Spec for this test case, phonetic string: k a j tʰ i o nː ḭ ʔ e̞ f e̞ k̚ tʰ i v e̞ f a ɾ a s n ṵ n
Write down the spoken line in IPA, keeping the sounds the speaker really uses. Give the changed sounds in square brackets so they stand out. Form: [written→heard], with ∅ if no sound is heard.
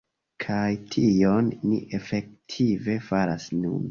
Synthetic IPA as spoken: [k→kʰ] a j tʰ i o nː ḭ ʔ e̞ f e̞ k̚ tʰ i v e̞ f a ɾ a s n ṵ n